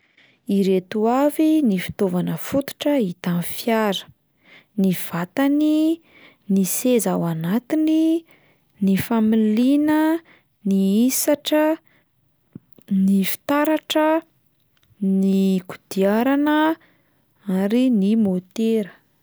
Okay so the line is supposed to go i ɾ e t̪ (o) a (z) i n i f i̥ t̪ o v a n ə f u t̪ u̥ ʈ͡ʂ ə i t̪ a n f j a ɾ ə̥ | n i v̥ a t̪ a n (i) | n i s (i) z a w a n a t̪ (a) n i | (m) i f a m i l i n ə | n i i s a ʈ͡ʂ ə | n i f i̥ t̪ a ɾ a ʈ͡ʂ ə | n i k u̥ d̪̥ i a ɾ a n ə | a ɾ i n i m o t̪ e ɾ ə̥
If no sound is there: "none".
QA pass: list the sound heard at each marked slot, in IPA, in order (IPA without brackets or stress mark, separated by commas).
u, v, i, e, i, n